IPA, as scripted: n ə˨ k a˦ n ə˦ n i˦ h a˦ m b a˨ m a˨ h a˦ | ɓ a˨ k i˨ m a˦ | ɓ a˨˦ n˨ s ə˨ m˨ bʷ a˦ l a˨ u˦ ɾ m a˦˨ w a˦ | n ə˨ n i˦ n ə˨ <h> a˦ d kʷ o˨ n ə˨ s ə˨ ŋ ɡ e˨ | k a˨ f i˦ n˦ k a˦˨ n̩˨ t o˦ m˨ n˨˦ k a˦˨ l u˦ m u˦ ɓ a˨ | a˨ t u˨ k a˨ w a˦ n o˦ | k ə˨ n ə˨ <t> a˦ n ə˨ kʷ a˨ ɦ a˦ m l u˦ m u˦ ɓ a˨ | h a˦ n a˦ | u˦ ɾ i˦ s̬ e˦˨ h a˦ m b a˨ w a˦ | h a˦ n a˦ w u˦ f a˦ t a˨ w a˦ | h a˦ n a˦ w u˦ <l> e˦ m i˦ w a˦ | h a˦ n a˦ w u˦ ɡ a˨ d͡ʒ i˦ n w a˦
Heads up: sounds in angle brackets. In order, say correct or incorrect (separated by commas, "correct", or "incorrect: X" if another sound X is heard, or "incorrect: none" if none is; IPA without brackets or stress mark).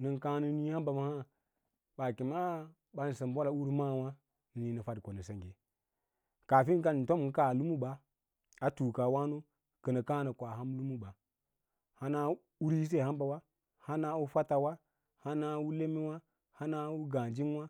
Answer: incorrect: f, incorrect: k, correct